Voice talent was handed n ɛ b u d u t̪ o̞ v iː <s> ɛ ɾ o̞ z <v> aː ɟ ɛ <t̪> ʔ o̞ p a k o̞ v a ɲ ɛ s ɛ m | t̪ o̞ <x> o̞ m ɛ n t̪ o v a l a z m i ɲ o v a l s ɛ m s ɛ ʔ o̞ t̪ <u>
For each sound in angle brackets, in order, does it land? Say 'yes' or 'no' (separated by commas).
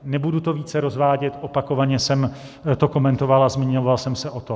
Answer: no, yes, yes, no, no